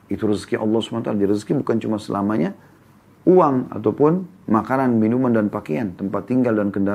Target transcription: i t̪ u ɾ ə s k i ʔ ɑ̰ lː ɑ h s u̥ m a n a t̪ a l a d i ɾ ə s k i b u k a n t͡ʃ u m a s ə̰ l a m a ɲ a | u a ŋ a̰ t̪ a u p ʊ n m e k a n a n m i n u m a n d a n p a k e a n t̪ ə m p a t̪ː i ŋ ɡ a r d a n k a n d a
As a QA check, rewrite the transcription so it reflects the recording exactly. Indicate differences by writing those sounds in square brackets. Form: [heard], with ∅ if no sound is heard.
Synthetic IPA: i t̪ u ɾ ə s k i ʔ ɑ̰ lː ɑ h s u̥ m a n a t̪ a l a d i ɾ ə s k i b u k a n t͡ʃ u m a s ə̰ l a m a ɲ a | u a ŋ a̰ t̪ a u p ʊ n m [a] k a n a n m i n u m a n d a n p a k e a n t̪ ə m p a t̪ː i ŋ ɡ a [l] d a n k [ə] n d a